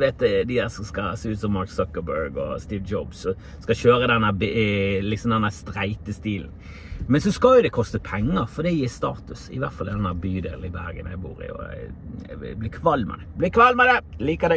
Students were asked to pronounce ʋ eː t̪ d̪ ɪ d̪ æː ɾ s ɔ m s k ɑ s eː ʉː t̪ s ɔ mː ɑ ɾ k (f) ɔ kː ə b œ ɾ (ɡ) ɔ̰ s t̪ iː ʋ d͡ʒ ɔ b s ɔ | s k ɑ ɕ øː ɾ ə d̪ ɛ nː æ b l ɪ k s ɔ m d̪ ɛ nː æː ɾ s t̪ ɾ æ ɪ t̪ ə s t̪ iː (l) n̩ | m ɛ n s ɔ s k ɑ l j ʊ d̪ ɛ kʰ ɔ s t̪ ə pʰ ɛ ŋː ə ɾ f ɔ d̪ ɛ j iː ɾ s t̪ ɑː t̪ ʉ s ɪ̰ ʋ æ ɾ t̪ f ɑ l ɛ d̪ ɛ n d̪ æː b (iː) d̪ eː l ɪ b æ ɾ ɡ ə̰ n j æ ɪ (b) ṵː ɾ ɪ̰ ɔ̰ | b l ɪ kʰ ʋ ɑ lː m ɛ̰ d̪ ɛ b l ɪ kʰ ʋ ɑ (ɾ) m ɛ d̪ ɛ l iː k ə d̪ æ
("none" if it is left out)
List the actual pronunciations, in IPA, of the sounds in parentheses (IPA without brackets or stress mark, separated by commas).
s, ɡ, l, yː, b, l